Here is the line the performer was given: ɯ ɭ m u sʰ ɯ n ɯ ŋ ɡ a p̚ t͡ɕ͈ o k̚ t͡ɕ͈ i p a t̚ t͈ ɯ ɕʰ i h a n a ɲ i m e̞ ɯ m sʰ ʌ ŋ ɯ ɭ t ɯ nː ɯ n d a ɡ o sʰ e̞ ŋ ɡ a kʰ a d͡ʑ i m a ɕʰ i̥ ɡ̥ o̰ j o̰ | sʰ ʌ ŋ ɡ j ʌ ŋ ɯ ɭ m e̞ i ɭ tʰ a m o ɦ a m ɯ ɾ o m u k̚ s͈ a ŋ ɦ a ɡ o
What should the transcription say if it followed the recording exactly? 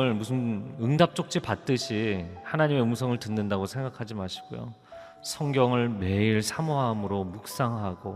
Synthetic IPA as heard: ɯ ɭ m u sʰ ɯ n ɯ ŋ d a p̚ t͡ɕ͈ o k̚ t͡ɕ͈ i p a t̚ t͈ ɯ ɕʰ i h a n a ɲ i m e̞ ɯ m sʰ ʌ ŋ ɯ ɭ t ɯ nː ɯ n d a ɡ o sʰ e̞ ŋ ɡ a kʰ a d͡ʑ i m a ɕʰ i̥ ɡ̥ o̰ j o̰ | sʰ ʌ ŋ ɡ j ʌ ŋ ɯ ɭ m e̞ i ɭ sʰ a m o ɦ a m ɯ ɾ o m u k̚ s͈ a ŋ ɦ a ɡ o